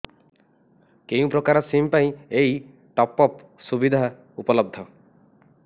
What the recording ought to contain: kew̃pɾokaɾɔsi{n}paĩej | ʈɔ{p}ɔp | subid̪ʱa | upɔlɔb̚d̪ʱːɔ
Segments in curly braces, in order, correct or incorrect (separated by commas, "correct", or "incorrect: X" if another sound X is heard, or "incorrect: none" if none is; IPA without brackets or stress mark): incorrect: m, correct